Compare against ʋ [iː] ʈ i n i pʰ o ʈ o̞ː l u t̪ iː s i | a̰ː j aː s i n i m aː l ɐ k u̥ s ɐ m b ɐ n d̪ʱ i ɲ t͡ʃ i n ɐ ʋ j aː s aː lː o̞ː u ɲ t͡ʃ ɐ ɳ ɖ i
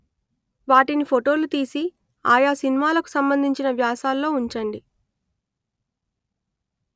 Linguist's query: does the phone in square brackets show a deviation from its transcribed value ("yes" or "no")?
yes